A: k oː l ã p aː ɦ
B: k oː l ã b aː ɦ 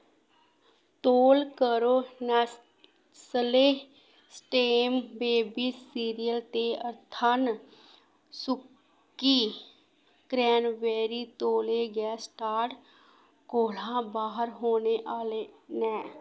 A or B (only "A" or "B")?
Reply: B